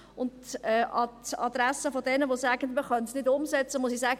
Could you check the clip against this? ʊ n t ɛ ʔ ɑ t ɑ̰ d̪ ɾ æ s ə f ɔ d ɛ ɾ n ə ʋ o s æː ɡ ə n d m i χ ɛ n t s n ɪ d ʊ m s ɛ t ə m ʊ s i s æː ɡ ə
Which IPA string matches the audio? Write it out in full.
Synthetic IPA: ʊ n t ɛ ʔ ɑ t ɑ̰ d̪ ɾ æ s ə f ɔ d ɛ n ə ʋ o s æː ɡ ə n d m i χ œ n t s n ɪ d ʊ m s ɛ t͡s ə m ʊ s i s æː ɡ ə